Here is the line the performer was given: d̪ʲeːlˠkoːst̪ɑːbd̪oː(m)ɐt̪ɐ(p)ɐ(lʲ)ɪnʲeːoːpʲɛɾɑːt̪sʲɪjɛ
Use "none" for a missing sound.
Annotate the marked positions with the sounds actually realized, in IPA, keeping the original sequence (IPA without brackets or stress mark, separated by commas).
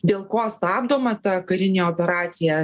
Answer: m, k, ɾʲ